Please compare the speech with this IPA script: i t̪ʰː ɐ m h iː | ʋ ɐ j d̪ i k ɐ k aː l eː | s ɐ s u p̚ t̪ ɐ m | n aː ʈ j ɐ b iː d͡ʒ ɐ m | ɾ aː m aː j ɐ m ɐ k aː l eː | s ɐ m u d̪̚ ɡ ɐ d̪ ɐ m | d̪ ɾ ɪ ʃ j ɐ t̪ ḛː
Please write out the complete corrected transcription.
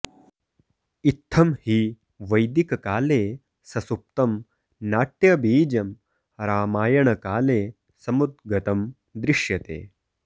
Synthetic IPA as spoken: i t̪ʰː ɐ m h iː | ʋ ɐ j d̪ i k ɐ k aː l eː | s ɐ s u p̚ t̪ ɐ m | n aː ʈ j ɐ b iː d͡ʒ ɐ m | ɾ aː m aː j ɐ ɳ ɐ k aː l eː | s ɐ m u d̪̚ ɡ ɐ t̪ ɐ m | d̪ ɾ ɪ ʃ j ɐ t̪ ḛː